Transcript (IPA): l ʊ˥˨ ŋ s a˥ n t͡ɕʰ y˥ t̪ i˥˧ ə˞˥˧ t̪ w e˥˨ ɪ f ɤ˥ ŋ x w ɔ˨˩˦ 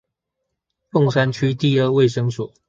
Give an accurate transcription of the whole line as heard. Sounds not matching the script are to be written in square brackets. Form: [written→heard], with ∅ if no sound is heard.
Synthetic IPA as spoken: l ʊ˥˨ ŋ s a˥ n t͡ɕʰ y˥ t̪ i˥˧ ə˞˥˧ [t̪→∅] w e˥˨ ɪ [f→ʂ] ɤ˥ ŋ [x→s] w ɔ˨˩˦